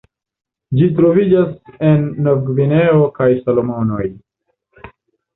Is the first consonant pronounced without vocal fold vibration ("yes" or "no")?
no